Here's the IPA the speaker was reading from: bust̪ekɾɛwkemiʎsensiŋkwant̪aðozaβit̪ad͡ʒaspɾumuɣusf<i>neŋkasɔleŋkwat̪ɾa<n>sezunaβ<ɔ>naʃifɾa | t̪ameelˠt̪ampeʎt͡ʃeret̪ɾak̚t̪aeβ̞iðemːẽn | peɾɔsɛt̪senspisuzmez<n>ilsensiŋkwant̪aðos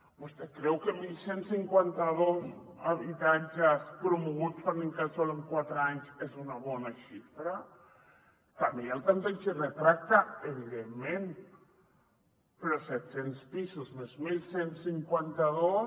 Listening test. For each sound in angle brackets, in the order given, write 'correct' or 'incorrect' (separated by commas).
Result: incorrect, incorrect, correct, incorrect